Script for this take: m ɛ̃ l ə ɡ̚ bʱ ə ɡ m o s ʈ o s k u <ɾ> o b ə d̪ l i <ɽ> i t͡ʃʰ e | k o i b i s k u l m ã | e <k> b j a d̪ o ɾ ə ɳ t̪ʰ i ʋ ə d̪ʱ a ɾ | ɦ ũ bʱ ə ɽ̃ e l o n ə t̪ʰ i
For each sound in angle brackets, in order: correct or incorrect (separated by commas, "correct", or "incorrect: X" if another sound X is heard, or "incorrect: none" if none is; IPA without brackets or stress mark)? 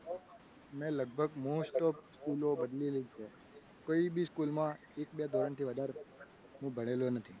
incorrect: l, incorrect: l, correct